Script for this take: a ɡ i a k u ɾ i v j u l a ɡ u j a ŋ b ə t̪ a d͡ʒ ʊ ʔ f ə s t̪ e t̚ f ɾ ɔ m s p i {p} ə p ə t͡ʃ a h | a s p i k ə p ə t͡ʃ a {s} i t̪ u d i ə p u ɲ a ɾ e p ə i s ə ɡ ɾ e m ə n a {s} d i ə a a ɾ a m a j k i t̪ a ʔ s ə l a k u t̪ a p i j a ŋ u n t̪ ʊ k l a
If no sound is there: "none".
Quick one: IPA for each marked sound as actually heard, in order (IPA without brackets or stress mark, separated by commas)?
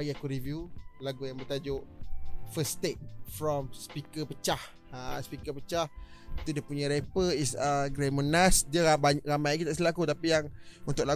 k, h, s